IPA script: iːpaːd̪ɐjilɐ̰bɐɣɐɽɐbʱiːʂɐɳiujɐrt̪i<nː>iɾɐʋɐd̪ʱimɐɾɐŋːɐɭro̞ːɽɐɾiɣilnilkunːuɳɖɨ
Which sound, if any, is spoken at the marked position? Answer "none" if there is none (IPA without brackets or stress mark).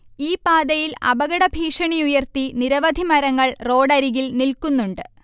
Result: n